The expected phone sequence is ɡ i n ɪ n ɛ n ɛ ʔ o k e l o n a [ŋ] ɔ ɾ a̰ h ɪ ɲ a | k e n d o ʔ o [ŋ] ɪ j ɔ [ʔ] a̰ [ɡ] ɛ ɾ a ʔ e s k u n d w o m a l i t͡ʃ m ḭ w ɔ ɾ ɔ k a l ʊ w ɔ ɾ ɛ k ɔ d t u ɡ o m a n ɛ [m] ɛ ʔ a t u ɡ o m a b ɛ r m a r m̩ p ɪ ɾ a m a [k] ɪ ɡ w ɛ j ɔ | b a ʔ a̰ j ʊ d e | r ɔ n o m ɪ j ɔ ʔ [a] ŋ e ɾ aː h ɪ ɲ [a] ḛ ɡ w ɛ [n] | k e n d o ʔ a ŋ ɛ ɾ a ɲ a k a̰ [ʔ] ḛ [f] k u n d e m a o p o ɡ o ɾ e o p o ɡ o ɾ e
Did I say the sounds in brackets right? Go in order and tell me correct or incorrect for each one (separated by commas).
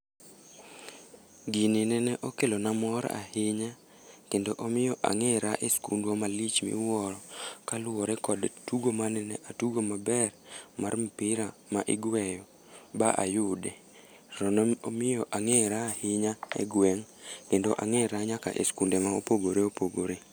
incorrect, incorrect, correct, incorrect, incorrect, incorrect, correct, correct, incorrect, correct, incorrect